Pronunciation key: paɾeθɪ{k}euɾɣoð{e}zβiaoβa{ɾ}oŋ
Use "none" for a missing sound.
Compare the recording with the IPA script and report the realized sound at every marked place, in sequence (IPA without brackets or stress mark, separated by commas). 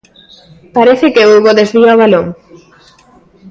k, e, l